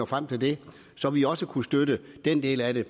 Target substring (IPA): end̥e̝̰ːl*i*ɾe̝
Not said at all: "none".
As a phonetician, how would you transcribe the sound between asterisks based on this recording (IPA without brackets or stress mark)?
æ